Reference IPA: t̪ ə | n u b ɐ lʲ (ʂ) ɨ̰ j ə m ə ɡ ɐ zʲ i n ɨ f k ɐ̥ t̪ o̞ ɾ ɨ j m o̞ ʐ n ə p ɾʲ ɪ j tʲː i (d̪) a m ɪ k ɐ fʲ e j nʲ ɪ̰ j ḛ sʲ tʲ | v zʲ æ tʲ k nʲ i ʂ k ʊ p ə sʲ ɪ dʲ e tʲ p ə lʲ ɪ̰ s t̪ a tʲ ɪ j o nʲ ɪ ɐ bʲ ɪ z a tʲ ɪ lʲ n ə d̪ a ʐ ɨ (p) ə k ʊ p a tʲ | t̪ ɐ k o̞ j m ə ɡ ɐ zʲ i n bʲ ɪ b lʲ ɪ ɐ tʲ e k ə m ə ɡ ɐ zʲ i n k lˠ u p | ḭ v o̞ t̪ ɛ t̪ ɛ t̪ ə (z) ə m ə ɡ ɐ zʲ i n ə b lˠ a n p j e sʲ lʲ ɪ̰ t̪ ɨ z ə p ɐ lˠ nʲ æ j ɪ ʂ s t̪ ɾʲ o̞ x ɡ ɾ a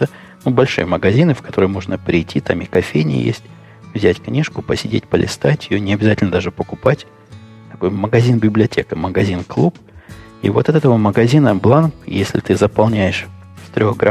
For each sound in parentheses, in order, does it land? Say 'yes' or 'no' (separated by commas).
yes, no, yes, no